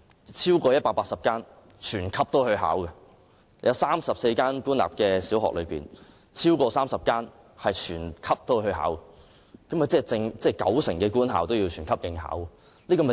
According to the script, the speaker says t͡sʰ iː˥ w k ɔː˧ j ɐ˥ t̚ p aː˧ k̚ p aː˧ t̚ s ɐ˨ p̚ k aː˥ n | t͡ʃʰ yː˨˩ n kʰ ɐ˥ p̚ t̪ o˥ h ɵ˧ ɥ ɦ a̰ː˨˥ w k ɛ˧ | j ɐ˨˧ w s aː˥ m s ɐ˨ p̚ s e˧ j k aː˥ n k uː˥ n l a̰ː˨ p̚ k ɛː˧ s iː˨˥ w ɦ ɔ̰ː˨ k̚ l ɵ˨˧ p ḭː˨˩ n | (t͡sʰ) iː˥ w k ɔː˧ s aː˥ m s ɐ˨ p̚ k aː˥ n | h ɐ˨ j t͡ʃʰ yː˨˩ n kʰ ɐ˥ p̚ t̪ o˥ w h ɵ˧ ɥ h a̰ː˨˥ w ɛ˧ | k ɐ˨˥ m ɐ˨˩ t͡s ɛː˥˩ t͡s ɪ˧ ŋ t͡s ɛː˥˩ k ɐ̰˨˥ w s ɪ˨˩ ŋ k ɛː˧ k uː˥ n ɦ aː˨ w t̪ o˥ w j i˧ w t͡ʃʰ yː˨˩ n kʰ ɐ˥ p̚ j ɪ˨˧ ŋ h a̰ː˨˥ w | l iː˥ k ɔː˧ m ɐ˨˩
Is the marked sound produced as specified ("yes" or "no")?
yes